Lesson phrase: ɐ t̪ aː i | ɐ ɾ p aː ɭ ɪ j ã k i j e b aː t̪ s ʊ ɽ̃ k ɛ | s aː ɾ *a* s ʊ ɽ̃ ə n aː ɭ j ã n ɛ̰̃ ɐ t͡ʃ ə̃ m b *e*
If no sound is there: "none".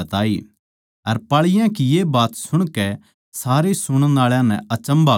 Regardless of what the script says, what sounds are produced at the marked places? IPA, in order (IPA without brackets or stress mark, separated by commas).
e, a